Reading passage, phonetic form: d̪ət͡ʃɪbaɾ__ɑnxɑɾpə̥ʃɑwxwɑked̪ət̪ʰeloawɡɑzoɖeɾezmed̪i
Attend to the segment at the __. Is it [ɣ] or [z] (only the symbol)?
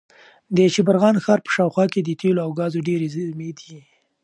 ɣ